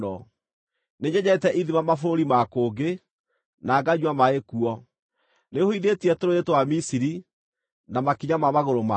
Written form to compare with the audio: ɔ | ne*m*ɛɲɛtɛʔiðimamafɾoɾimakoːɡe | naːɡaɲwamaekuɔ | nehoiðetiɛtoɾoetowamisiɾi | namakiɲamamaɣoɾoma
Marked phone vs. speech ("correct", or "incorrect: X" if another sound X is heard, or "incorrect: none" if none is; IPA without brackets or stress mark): incorrect: ɲ